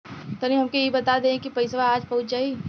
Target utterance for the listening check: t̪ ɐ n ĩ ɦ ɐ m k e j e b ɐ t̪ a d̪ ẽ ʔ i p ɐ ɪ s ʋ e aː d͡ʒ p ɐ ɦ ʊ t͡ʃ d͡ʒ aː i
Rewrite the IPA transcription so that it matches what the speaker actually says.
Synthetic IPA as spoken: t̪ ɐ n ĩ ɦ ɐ m k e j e b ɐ t̪ a d̪ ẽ k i p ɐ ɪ s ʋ a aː d͡ʒ p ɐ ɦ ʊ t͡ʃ d͡ʒ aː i